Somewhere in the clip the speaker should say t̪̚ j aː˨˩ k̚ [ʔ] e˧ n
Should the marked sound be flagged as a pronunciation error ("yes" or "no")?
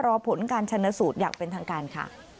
yes